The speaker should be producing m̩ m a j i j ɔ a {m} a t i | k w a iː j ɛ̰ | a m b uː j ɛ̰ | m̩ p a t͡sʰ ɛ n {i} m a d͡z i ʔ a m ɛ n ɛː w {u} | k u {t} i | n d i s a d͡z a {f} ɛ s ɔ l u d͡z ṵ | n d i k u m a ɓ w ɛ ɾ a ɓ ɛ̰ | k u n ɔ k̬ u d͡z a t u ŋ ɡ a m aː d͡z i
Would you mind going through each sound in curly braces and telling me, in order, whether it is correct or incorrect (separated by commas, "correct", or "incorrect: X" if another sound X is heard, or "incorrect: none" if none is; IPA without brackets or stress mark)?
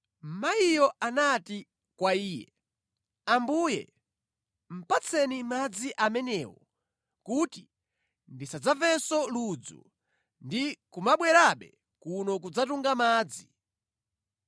incorrect: n, correct, incorrect: ɔ, correct, incorrect: v